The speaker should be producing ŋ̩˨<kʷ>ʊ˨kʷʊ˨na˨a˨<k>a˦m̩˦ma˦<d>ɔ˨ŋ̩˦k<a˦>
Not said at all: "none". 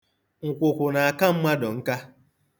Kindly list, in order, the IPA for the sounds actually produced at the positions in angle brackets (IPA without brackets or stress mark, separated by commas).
kʷ, k, d, a˦